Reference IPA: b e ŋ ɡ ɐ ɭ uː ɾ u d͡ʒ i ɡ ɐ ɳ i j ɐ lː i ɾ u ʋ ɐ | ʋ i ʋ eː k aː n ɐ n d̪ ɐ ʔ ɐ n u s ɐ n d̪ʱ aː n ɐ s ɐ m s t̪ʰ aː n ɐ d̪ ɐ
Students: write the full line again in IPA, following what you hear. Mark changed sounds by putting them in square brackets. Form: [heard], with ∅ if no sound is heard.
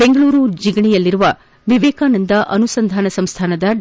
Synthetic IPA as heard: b e ŋ ɡ ɐ ɭ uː ɾ u d͡ʒ i ɡ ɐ ɳ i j ɐ lː i ɾ u ʋ ɐ | ʋ i ʋ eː k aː n ɐ n d̪ ɐ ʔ ɐ n u s ɐ n d̪ʱ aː n ɐ s ɐ m s t̪ʰ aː n ɐ d̪ ɐ